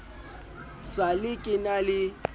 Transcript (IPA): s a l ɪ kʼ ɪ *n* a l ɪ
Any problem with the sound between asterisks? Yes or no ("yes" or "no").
no